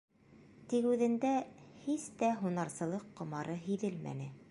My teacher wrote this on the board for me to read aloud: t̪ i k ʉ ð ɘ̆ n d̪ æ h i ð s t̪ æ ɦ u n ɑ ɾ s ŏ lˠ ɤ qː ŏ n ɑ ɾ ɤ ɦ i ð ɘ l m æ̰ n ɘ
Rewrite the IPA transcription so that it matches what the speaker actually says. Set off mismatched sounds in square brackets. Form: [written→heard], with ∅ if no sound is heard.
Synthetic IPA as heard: t̪ i k ʉ ð ɘ̆ n d̪ æ h i [ð→∅] s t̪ æ ɦ u n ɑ ɾ s [ŏ→ɤ̆] lˠ ɤ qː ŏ [n→m] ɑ ɾ ɤ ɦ i ð ɘ l m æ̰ n ɘ